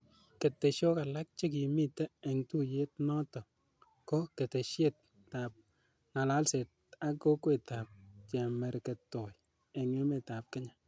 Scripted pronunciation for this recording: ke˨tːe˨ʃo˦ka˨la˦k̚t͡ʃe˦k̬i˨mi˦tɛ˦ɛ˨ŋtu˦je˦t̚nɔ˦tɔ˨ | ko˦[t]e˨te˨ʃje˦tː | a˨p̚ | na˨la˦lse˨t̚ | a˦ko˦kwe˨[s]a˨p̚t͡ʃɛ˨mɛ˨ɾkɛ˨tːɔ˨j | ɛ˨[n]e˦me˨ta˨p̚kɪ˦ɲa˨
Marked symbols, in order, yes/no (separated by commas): no, no, no